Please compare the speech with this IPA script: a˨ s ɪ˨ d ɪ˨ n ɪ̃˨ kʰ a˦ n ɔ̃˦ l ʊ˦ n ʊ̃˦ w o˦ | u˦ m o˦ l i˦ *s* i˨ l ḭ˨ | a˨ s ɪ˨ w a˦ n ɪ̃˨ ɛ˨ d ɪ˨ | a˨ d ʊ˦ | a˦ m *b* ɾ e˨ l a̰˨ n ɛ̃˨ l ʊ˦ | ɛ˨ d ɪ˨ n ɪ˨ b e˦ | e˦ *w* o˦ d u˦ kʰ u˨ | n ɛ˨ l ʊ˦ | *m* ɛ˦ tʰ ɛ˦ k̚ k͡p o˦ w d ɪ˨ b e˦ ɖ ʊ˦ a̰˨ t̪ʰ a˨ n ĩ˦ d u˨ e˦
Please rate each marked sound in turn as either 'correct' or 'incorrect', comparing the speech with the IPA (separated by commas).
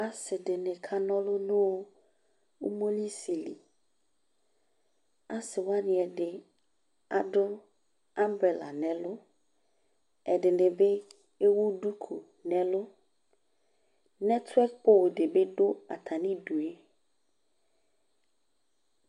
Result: correct, correct, correct, incorrect